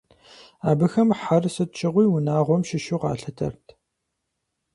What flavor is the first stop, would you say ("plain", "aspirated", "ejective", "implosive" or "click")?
plain